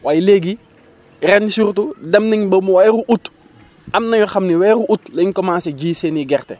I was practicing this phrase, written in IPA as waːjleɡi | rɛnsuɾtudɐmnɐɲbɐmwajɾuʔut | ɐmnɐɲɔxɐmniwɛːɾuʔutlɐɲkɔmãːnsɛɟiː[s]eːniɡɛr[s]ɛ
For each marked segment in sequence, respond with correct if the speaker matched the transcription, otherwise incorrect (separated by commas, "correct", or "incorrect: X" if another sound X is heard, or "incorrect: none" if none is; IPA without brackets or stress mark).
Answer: correct, incorrect: t